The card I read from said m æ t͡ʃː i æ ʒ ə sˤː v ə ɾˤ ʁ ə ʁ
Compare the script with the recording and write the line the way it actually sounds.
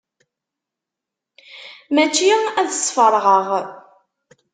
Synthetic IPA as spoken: m æ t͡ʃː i æ ð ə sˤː f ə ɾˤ ʁ ə ʁ